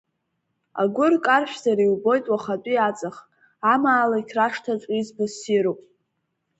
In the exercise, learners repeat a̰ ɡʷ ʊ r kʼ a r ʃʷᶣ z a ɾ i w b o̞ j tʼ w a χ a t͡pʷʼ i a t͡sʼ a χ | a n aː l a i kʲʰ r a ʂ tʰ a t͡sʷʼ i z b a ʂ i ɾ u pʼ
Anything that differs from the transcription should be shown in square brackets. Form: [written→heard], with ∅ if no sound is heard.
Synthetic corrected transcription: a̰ ɡʷ ʊ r kʼ a r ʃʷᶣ z a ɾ i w b o̞ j tʼ w a χ a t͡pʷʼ i a t͡sʼ a χ | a [n→m] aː l a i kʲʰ r a ʂ tʰ a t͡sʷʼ i z b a [ʂ→s] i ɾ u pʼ